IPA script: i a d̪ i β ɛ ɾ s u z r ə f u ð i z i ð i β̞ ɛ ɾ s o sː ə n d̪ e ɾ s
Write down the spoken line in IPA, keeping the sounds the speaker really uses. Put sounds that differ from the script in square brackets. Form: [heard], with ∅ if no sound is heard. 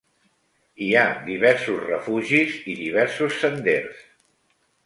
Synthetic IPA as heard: i a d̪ i β ɛ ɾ s u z r ə f u [ʒ] i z i ð i β̞ ɛ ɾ s [u] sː ə n d̪ e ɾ s